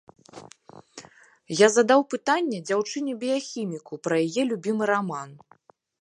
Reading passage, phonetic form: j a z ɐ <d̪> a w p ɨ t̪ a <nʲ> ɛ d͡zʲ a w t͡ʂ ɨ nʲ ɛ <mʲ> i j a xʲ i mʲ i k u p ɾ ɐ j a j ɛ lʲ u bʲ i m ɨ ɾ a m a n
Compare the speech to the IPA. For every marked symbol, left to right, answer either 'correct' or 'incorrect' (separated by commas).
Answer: correct, incorrect, incorrect